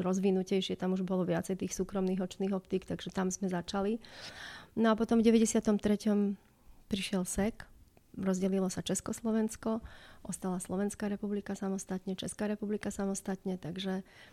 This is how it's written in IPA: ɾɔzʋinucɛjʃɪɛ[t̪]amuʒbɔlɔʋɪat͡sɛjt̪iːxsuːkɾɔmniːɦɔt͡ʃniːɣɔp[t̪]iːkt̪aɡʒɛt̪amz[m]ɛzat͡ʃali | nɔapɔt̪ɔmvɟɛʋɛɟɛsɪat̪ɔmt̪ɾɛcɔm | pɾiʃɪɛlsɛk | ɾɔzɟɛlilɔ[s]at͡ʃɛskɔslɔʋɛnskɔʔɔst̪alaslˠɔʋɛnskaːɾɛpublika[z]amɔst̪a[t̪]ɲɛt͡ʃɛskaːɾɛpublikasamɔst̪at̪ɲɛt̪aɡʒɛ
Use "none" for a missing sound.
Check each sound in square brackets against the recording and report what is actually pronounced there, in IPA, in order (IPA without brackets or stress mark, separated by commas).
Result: t̪, t̪, m, s, s, t̪